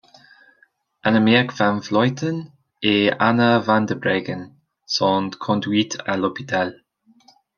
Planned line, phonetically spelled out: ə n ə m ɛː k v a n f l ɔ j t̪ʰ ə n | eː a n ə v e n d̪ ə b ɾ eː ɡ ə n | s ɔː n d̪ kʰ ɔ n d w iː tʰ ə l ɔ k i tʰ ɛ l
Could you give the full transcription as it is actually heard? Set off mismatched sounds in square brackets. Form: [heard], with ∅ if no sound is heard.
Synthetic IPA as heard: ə n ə m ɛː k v a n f l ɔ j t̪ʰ ə n | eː a n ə v [a] n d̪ ə b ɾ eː ɡ ə n | s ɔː n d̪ kʰ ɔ n d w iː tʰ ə l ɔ [p] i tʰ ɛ l

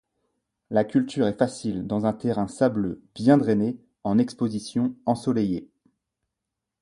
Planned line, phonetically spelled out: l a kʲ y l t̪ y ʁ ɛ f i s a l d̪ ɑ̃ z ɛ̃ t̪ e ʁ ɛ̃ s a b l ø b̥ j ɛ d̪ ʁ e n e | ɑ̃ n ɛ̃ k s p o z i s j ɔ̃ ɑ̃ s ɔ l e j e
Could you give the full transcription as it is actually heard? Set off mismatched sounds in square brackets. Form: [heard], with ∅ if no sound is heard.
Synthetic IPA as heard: l a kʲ y l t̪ y ʁ ɛ f [a] s [i] l d̪ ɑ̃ z ɛ̃ t̪ e ʁ ɛ̃ s a b l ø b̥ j [ɛ̃] d̪ ʁ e n e | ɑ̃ n [ɛ] k s p o z i s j ɔ̃ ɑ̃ s ɔ l e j e

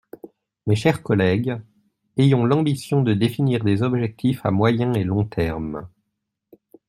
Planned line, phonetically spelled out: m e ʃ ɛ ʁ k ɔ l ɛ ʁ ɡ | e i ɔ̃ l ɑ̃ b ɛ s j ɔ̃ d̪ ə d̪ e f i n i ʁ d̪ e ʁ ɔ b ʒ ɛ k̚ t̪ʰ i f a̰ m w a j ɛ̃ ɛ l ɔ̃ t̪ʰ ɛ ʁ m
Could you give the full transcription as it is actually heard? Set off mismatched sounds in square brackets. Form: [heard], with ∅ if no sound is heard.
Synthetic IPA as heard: m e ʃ ɛ ʁ k ɔ l ɛ [∅] ɡ | e [j] ɔ̃ l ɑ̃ b [i] s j ɔ̃ d̪ ə d̪ e f i n i ʁ d̪ e [z] ɔ b ʒ ɛ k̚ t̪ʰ i f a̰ m w a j ɛ̃ [e] l ɔ̃ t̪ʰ ɛ ʁ m

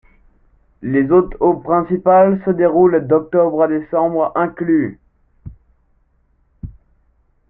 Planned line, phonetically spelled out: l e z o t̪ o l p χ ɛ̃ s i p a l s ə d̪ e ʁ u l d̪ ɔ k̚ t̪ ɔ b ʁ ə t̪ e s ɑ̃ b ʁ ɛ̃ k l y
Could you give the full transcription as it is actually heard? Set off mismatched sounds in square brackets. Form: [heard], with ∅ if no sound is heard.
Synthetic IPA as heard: l e z o t̪ o [∅] p χ ɛ̃ s i p a l s ə d̪ e ʁ u l d̪ ɔ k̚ t̪ ɔ b ʁ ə [d̪] e s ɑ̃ b ʁ ɛ̃ k l y

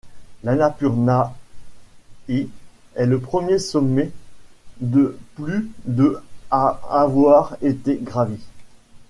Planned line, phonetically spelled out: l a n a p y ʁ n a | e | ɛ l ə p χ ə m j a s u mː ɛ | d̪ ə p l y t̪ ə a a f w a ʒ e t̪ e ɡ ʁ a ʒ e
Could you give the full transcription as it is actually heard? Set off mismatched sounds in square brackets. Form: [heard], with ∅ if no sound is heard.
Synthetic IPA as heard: l a n a p y ʁ n a | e | ɛ l ə p χ ə m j [e] s [ɔ] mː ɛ | d̪ ə p l y [d̪] ə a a [v] w a [ʁ] e t̪ e ɡ ʁ a [v] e

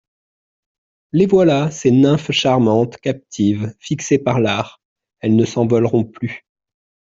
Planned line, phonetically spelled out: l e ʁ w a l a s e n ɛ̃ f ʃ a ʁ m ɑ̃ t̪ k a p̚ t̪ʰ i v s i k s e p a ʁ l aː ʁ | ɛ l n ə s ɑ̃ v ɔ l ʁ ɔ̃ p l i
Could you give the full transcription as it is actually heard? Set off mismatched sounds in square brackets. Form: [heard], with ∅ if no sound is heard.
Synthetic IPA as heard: l e [v] w a l a s e n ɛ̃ f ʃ a ʁ m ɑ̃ t̪ k a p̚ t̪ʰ i v [f] i k s e p a ʁ l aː ʁ | ɛ l n ə s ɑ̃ v ɔ l ʁ ɔ̃ p l [y]

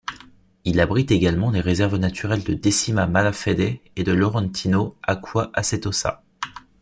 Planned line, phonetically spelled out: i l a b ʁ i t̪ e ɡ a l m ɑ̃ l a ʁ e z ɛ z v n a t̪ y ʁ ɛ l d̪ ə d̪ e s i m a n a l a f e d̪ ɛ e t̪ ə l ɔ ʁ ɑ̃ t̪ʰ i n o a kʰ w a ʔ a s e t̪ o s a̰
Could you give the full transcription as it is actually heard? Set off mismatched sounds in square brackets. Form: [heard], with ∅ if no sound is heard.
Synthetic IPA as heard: i l a b ʁ i t̪ e ɡ a l m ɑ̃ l [e] ʁ e z ɛ [ʁ] v n a t̪ y ʁ ɛ l d̪ ə d̪ e s i m a [m] a l a f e d̪ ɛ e [d̪] ə l ɔ ʁ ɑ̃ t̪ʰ i n o a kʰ w a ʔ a s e t̪ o s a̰

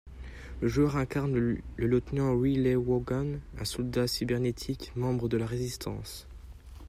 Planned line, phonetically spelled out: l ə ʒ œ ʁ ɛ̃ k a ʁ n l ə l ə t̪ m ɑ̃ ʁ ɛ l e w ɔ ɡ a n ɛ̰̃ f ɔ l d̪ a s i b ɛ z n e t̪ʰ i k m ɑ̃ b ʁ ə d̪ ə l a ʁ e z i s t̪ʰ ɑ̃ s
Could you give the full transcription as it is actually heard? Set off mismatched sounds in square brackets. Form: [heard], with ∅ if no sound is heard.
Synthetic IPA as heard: l ə ʒ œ ʁ ɛ̃ k a ʁ n l ə l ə t̪ [n] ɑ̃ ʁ [i] l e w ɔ ɡ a n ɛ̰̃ [s] ɔ l d̪ a s i b ɛ [ʁ] n e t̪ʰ i k m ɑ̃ b ʁ ə d̪ ə l a ʁ e z i s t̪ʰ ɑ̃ s

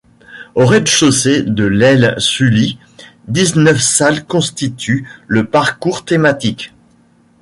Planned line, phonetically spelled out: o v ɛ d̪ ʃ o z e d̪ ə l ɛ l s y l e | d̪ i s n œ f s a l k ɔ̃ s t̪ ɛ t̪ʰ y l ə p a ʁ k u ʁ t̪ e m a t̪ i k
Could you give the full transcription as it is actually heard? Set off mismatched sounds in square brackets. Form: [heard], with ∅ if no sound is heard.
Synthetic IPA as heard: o [ʁ] ɛ d̪ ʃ o [s] e d̪ ə l ɛ l s y l [i] | d̪ i [z] n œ f s a l k ɔ̃ s t̪ [i] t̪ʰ y l ə p a ʁ k u ʁ t̪ e m a t̪ i k

